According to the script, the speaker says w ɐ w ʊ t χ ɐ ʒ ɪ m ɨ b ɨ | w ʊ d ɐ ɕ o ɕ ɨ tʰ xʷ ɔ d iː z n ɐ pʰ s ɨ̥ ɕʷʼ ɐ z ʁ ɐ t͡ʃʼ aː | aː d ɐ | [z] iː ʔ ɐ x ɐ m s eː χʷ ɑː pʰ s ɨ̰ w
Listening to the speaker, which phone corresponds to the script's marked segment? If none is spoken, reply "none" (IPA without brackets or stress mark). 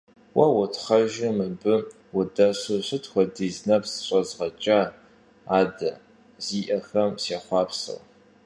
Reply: z